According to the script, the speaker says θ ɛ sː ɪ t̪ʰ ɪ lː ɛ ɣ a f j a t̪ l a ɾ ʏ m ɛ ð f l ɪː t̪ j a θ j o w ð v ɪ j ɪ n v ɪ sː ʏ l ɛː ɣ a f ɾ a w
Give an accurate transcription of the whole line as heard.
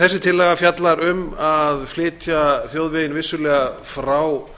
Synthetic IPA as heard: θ ɛ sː ɪ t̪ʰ ɪ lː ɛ ɣ a f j a t̪ l a ɾ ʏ m a ð f l ɪː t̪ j a θ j o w ð v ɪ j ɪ n v ɪ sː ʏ l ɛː ɣ a f ɾ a w

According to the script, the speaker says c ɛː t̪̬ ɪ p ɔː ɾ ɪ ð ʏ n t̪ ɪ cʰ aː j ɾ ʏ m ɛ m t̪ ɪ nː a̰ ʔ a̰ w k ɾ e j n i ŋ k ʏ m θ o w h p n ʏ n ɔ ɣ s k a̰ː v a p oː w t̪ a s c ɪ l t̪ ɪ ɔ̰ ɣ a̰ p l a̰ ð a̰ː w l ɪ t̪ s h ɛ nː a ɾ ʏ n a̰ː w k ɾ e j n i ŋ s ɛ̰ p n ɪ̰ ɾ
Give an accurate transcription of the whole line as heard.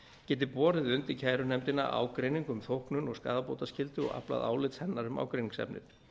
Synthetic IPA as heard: c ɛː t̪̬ ɪ p ɔː ɾ ɪ ð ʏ n t̪ ɪ cʰ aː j ɾ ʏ n ɛ m t̪ ɪ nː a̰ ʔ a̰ w k ɾ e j n i ŋ k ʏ m θ o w h k n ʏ n ɔ ɣ s k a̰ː ð a p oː w t̪ a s c ɪ l t̪ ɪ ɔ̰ ɣ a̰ p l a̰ ð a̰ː w l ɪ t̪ s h ɛ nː a ɾ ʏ m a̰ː w k ɾ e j n i ŋ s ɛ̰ p n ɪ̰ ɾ

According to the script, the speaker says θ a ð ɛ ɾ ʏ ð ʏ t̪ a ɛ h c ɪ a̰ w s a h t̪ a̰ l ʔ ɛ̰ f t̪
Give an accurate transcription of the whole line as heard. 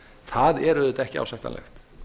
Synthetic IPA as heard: θ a ð ɛ ɾ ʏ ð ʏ t̪ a ɛ h c ɪ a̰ w s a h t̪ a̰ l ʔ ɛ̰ x t̪

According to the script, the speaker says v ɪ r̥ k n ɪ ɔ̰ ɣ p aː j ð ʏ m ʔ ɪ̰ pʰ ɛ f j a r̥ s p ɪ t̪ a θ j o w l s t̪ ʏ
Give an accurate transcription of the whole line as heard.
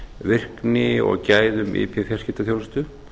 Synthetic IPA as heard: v ɪ r̥ k n ɪ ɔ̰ ɣ c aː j ð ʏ m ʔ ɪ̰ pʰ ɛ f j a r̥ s c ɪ t̪ a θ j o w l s t̪ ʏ

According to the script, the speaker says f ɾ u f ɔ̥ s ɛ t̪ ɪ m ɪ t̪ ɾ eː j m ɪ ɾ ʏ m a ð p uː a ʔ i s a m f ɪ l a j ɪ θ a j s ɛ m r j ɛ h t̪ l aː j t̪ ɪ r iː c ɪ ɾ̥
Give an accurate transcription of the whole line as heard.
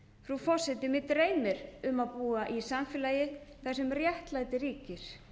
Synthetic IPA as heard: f ɾ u f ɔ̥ s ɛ t̪ ɪ m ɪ t̪ ɾ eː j m ɪ ɾ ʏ m a ð p uː a ʔ i s a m f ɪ l a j ɪ θ a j s ɛ m r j ɛ h t̪ l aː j t̪ ɪ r iː c ɪ ɾ̥

